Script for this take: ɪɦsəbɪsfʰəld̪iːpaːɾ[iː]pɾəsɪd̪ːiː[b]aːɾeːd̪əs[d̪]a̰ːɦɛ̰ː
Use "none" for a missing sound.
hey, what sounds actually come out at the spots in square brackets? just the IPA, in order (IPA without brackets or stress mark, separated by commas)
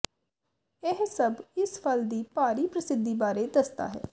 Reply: iː, b, t̪